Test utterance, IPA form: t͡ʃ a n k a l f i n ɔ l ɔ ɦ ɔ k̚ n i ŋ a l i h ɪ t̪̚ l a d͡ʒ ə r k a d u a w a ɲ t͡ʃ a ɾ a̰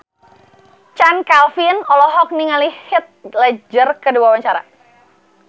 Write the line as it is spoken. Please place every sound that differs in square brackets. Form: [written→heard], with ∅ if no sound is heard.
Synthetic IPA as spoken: t͡ʃ a n k a l f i n ɔ l ɔ ɦ ɔ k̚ n i ŋ a l i h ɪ t̪̚ l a d͡ʒ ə r k [a→ə] d u a w a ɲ t͡ʃ a ɾ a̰